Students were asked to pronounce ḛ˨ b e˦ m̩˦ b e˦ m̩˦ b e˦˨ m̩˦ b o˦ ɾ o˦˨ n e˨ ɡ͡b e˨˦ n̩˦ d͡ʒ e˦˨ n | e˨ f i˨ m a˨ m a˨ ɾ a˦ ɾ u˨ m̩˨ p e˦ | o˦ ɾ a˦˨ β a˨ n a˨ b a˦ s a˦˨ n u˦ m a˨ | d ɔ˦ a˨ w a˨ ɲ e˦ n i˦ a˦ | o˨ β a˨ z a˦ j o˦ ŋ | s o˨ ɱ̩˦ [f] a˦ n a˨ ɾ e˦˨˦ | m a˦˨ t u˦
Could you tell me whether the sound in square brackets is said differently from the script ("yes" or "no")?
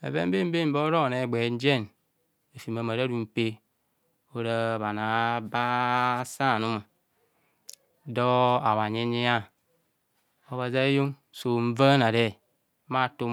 yes